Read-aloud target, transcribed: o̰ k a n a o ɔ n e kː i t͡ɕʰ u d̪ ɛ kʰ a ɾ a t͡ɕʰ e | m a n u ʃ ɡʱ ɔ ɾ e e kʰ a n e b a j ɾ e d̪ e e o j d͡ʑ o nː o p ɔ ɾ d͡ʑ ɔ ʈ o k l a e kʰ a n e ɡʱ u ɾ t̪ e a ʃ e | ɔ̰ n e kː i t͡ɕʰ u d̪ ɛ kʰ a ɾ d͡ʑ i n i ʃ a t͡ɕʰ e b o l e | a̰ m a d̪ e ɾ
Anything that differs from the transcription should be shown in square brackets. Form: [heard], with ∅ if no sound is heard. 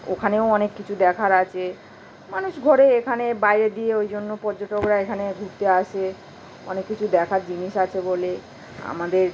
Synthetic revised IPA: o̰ [kʰ] a n [e] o ɔ n e kː i t͡ɕʰ u d̪ ɛ kʰ a ɾ a t͡ɕʰ e | m a n u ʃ ɡʱ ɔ ɾ e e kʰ a n e b a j ɾ e d̪ [i] e o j d͡ʑ o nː o p ɔ ɾ d͡ʑ [o] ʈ o k [ɾ] a e kʰ a n e ɡʱ u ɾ t̪ e a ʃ e | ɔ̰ n e kː i t͡ɕʰ u d̪ ɛ kʰ a ɾ d͡ʑ i n i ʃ a t͡ɕʰ e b o l e | a̰ m a d̪ e ɾ

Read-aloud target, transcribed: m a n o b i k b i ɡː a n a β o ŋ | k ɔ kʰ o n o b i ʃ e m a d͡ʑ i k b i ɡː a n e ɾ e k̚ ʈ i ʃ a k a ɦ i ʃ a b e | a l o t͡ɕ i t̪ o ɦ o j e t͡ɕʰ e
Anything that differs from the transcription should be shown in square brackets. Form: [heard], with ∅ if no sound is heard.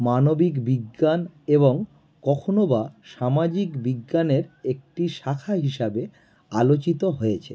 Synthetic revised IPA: m a n o b i k b i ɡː a n [e] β o ŋ | k ɔ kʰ o n o b [a] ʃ [a] m a d͡ʑ i k b i ɡː a n e ɾ e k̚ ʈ i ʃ a [kʰ] a ɦ i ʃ a b e | a l o t͡ɕ i t̪ o ɦ o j e t͡ɕʰ e

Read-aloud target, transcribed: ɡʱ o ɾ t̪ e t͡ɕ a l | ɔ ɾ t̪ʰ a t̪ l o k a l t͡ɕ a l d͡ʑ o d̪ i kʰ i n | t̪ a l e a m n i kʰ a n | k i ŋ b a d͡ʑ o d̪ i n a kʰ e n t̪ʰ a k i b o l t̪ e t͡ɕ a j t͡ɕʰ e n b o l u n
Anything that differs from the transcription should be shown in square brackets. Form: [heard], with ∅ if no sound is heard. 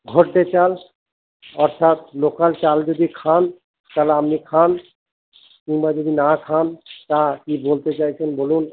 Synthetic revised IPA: ɡʱ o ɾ t̪ e t͡ɕ a l | ɔ ɾ t̪ʰ a t̪ l o k a l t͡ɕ a l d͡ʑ o d̪ i kʰ [a] n | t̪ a l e a m n i kʰ a n | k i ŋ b a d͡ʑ o d̪ i n a kʰ [a] n [t̪] a k i b o l t̪ e t͡ɕ a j t͡ɕʰ e n b o l u n

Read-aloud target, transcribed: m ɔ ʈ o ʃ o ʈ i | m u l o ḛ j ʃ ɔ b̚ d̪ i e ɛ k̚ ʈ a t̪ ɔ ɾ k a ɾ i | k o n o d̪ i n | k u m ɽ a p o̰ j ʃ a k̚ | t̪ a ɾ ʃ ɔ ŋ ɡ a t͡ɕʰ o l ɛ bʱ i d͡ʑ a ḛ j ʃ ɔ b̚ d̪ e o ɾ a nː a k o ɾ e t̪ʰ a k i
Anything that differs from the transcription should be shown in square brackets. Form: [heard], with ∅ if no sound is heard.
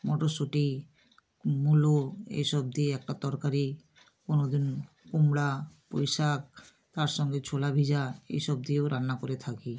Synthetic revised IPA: m ɔ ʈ o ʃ o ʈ i | m u l o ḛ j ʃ ɔ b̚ d̪ i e ɛ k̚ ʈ a t̪ ɔ ɾ k a ɾ i | k o n o d̪ i n | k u m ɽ a p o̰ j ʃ a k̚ | t̪ a ɾ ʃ ɔ ŋ ɡ [e] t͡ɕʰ o l [a] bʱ i d͡ʑ a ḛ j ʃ ɔ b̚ d̪ [i] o ɾ a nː a k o ɾ e t̪ʰ a k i

